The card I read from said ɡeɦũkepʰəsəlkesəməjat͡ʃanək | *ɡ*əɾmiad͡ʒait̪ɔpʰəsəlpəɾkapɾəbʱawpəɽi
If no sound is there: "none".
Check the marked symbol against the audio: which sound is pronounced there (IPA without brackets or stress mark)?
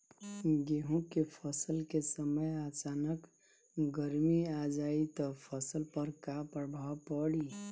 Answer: ɡ